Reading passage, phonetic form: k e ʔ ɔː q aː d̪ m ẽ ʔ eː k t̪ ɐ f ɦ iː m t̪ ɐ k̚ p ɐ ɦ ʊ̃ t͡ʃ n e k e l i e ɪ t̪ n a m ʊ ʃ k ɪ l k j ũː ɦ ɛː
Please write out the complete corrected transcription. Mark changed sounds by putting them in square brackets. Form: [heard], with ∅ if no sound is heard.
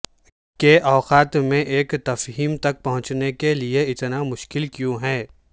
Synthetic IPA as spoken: k e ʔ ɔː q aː [t̪] m ẽ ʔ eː k t̪ ɐ f ɦ iː m t̪ ɐ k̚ p ɐ ɦ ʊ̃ t͡ʃ n e k e l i e ɪ t̪ n a m ʊ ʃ k ɪ l k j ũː ɦ ɛː